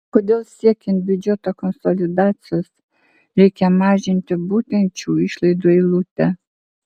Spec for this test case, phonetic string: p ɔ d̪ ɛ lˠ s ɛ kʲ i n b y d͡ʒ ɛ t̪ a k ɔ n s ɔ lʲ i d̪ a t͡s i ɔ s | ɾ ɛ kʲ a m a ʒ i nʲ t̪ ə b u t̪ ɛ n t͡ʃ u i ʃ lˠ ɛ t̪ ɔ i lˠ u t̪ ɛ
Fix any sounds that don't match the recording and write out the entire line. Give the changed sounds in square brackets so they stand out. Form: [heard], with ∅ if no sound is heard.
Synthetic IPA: [k] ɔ d̪ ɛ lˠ s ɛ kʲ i n b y d͡ʒ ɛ t̪ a k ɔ n s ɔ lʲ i d̪ a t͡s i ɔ s | ɾ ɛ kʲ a m a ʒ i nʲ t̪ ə b u t̪ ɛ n t͡ʃ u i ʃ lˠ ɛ [d̪] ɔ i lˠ u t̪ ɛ